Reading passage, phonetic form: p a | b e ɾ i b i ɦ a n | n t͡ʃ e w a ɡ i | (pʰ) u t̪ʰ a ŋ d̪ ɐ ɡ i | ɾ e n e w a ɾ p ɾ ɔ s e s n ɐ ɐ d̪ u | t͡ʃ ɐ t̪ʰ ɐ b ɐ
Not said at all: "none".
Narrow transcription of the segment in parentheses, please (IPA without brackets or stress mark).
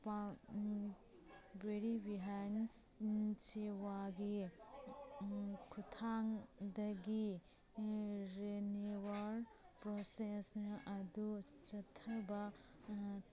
kʰ